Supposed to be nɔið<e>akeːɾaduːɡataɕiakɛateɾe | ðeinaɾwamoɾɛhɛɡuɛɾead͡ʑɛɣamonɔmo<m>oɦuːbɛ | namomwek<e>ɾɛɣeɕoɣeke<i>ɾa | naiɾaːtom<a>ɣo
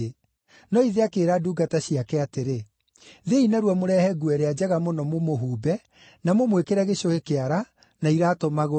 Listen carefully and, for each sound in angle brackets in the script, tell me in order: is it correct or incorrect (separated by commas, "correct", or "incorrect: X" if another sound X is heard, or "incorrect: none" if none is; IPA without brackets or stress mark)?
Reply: correct, correct, correct, incorrect: a, correct